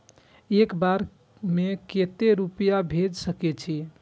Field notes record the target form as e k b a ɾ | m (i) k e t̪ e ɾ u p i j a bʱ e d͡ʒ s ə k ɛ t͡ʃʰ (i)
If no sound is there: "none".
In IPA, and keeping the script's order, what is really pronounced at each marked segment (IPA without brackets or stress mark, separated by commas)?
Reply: e, i